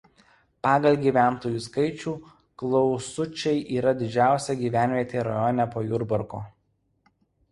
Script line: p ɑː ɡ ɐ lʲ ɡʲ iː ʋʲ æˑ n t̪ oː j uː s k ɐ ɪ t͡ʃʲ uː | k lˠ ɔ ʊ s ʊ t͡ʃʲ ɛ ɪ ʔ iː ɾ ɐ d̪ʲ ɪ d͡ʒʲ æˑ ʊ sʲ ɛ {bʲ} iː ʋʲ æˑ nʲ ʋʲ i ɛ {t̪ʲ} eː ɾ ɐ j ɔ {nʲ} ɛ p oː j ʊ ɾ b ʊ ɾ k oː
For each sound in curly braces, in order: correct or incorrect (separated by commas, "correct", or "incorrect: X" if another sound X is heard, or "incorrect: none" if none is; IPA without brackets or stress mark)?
incorrect: ɡʲ, correct, correct